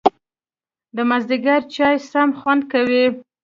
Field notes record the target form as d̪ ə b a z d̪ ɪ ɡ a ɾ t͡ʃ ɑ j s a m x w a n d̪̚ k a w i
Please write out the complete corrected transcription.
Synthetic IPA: d̪ ə m a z d̪ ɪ ɡ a ɾ t͡ʃ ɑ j s a m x w a n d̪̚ k a w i

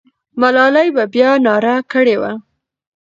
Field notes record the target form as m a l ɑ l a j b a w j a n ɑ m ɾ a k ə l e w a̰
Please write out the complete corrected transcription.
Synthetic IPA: m a l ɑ l a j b a b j ɑ n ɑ ɾ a k ə ɽ e w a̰

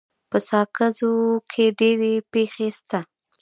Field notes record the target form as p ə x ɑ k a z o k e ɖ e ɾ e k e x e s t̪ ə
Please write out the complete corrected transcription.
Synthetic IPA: p ə s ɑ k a z o kʰ e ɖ e ɾ e p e x e s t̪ a

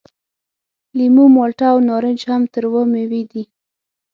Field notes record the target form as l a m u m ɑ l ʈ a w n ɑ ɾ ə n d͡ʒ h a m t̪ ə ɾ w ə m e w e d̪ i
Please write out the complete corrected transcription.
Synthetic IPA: l i m u m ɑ l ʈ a w n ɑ ɾ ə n d͡ʒ h a m t̪ ə ɾ w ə m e w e d̪ i

